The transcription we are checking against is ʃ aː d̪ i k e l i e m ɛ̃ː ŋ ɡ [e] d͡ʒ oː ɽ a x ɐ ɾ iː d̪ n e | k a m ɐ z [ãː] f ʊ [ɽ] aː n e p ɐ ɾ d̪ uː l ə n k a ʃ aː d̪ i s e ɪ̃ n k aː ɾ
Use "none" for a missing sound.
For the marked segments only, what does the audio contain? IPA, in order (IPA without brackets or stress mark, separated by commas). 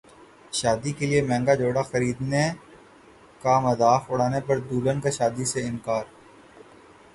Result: a, aː, ɽ